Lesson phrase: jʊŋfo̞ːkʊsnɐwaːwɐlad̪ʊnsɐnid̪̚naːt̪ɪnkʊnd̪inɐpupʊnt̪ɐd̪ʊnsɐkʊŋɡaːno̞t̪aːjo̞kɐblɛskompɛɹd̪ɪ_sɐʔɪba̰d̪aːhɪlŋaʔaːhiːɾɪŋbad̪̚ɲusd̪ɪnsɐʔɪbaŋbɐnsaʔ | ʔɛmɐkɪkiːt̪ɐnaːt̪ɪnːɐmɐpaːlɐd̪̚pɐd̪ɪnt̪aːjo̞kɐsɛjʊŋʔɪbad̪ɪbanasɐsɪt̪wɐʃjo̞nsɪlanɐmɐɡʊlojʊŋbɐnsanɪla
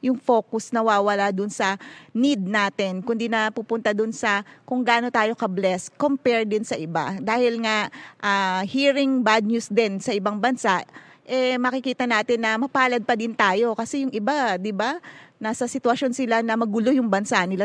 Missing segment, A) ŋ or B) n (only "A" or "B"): B